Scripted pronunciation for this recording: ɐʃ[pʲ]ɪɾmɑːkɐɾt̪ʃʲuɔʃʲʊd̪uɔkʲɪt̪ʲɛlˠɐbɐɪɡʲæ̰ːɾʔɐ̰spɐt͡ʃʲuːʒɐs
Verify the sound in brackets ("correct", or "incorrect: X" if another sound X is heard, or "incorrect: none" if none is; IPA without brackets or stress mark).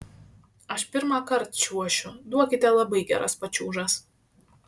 correct